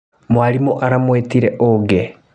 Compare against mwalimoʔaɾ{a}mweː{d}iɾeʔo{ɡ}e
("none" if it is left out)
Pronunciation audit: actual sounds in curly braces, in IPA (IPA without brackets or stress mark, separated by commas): a, t, ɡ